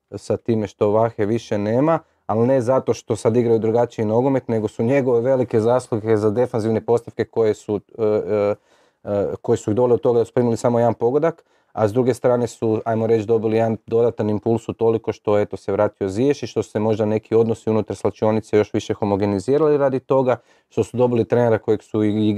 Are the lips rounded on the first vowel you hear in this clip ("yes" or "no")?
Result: no